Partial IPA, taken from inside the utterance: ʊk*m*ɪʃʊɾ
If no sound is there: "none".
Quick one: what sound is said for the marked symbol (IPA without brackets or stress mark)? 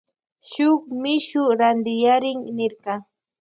m